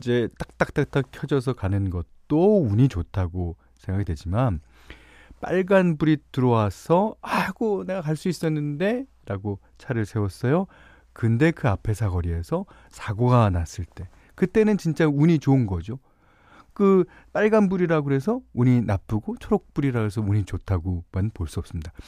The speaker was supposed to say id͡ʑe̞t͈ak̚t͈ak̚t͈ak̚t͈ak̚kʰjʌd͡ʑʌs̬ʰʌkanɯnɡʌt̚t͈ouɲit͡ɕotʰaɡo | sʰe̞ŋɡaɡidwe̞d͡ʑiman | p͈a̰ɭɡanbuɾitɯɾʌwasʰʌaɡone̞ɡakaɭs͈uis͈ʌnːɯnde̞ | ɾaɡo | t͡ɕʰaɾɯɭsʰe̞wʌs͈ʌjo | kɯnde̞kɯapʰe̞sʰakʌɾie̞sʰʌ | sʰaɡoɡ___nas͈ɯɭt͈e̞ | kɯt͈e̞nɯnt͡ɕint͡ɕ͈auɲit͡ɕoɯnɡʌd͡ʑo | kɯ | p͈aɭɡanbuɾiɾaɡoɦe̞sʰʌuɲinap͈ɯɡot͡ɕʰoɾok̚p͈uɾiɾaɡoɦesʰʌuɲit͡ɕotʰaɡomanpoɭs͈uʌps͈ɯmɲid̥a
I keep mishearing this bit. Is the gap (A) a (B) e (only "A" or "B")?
A